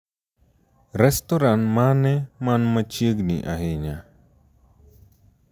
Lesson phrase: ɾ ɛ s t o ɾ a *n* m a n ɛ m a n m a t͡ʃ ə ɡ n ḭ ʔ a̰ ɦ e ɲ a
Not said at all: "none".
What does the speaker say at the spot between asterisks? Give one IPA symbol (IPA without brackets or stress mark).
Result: n